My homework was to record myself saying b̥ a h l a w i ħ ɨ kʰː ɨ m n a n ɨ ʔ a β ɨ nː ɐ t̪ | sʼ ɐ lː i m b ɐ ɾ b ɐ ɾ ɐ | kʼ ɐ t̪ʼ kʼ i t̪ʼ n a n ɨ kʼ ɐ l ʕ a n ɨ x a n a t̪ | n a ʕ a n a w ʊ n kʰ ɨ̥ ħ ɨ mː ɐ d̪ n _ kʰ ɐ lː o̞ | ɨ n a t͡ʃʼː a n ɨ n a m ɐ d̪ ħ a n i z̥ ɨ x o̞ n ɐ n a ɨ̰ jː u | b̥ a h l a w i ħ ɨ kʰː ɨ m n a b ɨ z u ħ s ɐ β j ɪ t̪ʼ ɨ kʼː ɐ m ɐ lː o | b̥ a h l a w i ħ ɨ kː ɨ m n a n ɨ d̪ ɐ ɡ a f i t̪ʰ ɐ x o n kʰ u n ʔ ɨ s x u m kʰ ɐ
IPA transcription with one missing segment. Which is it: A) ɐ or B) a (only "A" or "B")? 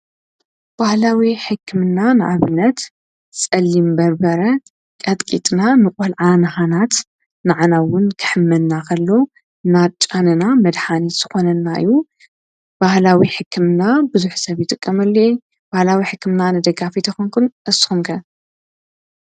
B